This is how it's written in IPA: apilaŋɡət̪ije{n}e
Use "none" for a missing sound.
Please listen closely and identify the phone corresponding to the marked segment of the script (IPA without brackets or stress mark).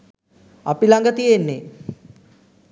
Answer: nː